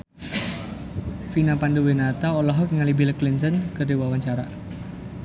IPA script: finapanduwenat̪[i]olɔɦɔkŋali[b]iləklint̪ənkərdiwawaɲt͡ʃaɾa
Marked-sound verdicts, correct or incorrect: incorrect: a, correct

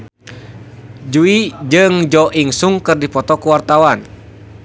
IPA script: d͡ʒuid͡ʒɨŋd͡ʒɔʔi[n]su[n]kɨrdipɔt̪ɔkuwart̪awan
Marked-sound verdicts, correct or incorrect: incorrect: ŋ, incorrect: ŋ

